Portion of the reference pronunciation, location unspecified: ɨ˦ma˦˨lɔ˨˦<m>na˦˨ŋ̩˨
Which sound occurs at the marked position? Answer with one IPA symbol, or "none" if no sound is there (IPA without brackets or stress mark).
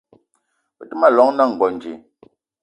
ŋ